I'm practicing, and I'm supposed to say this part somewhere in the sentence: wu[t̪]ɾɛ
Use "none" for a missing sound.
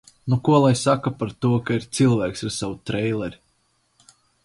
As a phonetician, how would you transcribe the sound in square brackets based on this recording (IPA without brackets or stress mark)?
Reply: t̪